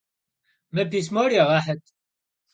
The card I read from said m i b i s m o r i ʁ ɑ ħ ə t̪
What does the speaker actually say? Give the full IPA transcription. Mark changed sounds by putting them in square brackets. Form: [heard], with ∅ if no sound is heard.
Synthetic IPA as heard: m [æ] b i s m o [ɾ] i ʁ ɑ ħ ə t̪